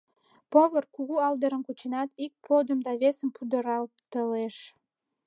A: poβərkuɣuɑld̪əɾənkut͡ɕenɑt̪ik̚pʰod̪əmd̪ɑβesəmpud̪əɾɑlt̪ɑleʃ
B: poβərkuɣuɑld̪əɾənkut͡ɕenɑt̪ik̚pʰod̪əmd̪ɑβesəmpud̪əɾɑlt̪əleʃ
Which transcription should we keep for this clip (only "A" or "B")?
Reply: B